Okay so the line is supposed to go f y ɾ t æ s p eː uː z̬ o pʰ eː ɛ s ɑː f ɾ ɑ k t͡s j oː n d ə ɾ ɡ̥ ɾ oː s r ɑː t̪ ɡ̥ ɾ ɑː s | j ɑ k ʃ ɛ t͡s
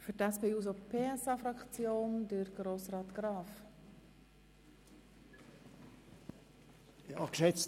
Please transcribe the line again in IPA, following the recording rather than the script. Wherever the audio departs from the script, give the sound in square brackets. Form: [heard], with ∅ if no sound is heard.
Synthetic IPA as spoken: f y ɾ t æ s p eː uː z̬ o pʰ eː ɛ s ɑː f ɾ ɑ k t͡s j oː n d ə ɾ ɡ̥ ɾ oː s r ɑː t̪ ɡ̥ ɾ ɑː [f] | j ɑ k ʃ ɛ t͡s